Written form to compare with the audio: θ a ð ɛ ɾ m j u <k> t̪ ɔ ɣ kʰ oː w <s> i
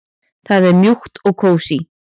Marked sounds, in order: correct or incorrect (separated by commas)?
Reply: incorrect, correct